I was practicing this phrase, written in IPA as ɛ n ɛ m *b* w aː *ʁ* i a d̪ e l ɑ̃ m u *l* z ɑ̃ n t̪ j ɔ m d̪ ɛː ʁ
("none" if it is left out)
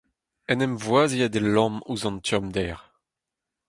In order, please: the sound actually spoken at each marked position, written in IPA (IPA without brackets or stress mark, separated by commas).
v, z, none